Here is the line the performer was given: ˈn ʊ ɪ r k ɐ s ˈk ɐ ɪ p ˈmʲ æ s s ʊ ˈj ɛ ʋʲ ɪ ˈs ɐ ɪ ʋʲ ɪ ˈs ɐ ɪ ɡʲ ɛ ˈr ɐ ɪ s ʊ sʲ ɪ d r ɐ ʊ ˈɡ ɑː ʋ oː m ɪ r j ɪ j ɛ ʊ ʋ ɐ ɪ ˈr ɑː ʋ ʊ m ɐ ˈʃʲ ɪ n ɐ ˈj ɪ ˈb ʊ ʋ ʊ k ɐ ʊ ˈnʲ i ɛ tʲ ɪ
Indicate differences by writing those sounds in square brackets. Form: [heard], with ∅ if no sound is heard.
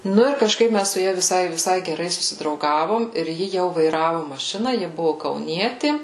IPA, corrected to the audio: ˈn ʊ ɪ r k ɐ [ʃ] ˈk ɐ ɪ p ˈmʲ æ s s ʊ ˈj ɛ ʋʲ ɪ ˈs ɐ ɪ ʋʲ ɪ ˈs ɐ ɪ ɡʲ ɛ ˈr ɐ ɪ s ʊ sʲ ɪ d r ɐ ʊ ˈɡ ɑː ʋ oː m ɪ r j ɪ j ɛ ʊ ʋ ɐ ɪ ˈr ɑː ʋ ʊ m ɐ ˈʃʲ ɪ n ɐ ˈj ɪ ˈb ʊ ʋ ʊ k ɐ ʊ ˈnʲ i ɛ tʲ ɪ